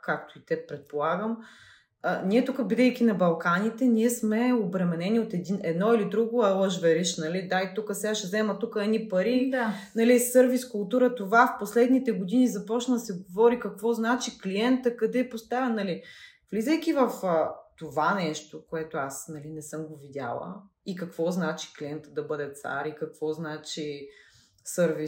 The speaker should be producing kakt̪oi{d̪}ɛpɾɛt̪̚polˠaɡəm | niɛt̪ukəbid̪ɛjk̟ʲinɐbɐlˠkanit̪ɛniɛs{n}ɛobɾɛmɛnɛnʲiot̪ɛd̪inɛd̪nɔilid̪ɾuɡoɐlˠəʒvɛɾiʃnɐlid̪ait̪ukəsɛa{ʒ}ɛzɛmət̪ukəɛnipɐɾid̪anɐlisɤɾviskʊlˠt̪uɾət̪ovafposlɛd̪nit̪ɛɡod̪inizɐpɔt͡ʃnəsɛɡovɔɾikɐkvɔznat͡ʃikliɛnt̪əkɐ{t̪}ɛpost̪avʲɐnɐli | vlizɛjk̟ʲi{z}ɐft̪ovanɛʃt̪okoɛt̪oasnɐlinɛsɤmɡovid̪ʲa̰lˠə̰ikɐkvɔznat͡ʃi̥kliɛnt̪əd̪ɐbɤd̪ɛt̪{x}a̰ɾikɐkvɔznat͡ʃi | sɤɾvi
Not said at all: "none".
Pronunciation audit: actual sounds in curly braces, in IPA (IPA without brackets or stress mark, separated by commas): t̪, m, ʃ, d̪, v, s